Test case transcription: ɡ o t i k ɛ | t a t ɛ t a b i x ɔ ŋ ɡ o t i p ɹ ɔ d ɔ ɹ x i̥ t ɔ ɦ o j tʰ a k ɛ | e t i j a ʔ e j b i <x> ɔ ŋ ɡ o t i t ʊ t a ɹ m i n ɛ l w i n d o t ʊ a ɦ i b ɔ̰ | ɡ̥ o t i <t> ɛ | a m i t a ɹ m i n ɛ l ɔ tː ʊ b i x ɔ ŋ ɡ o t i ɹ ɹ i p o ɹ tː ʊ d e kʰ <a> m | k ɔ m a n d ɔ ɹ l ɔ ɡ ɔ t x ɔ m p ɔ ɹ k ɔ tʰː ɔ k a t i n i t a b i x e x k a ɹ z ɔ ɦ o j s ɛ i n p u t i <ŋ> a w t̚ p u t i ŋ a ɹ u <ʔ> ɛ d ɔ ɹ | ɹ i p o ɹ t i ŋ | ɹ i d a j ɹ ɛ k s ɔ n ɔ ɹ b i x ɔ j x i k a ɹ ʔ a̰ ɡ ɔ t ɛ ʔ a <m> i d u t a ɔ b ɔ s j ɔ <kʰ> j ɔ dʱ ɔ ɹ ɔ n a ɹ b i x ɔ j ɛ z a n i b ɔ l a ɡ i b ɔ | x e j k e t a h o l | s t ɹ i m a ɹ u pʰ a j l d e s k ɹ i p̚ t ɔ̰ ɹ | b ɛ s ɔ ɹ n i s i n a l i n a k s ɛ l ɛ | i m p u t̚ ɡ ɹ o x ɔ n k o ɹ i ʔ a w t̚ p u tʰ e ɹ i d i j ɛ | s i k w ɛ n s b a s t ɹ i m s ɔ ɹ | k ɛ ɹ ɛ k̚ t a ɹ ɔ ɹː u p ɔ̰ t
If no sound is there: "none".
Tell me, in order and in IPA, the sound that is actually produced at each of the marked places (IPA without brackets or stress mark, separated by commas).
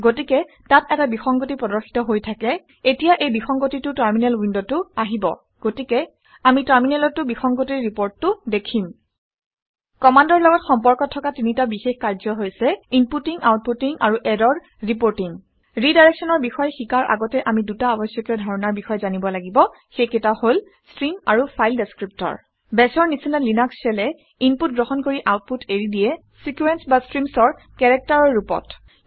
x, k, i, ŋ, ʔ, m, k